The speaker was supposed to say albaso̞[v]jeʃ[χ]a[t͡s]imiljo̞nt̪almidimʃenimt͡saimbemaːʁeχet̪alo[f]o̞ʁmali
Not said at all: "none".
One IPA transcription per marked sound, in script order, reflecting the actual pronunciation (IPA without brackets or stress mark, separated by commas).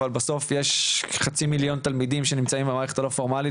f, χ, t͡s, f